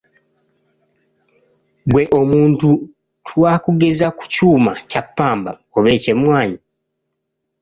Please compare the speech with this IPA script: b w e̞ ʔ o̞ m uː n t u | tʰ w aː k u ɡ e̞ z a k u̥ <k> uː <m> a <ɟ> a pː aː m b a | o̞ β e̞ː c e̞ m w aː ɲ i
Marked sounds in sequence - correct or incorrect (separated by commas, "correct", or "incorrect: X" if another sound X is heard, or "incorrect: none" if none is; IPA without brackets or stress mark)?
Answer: incorrect: c, correct, incorrect: c